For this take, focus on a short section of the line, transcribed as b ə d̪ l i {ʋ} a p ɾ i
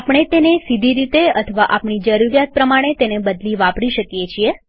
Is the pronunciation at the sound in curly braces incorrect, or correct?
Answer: correct